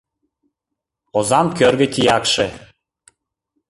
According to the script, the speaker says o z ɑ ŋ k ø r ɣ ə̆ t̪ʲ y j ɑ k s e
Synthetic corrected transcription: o z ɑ m k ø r ɣ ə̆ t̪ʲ i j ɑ k ʃ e